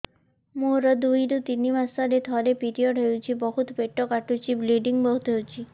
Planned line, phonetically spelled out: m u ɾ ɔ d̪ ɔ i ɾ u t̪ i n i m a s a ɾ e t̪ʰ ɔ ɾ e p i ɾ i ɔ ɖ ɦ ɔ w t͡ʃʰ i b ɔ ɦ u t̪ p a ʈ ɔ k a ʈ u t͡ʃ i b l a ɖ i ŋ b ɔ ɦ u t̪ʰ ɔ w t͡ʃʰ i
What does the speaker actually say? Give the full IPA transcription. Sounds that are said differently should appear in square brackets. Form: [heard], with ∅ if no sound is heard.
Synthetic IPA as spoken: m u ɾ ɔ d̪ [u] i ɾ u t̪ i n i m a s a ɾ e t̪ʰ ɔ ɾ e p i ɾ i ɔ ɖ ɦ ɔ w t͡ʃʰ i b ɔ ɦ u t̪ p [e] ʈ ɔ k a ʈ u t͡ʃ i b l [i] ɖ i ŋ b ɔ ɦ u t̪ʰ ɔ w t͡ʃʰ i